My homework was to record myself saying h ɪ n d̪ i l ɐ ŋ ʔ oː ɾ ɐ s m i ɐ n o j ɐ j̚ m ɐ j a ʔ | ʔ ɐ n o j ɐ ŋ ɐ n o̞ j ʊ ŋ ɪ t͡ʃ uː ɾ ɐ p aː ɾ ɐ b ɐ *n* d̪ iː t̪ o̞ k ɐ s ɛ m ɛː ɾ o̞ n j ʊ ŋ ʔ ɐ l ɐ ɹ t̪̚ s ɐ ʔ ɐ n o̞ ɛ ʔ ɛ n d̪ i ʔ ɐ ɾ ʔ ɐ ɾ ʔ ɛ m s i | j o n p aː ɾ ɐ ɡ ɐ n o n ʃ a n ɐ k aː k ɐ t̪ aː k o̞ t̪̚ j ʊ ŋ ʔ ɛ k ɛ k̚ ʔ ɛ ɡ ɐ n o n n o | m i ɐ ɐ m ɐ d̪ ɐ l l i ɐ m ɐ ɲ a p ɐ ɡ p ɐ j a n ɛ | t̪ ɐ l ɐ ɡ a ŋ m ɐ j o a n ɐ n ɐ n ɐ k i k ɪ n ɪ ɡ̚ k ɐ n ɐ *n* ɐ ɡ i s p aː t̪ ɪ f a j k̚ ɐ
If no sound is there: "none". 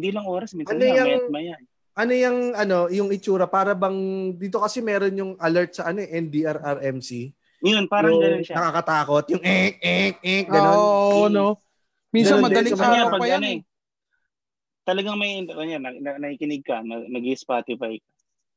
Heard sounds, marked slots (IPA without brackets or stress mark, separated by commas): ŋ, n